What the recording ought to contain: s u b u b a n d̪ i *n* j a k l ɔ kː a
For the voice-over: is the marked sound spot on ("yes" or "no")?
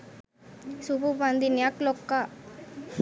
yes